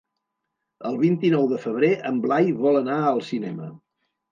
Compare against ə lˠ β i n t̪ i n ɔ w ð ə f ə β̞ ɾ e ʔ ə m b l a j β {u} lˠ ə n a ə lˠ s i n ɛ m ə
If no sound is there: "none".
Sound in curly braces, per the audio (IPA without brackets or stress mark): ɔ